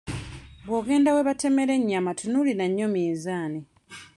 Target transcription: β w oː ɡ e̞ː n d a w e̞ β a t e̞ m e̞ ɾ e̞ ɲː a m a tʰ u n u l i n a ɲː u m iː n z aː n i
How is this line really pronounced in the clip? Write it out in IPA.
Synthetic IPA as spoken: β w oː ɡ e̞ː n d a w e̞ β a t e̞ m e̞ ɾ e̞ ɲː a m a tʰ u n u l i n a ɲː o m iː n z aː n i